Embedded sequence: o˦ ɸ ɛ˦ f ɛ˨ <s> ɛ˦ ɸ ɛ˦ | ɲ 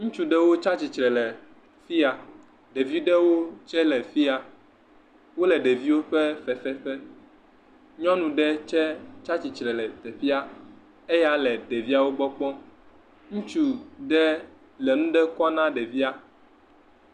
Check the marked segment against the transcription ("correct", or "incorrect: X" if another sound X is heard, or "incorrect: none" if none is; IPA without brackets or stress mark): incorrect: f